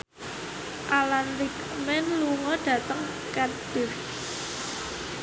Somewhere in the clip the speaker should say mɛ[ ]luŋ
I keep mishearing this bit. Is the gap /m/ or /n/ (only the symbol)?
n